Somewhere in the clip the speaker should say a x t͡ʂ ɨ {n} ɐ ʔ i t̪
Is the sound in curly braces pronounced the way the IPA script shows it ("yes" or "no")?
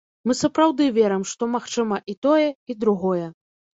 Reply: no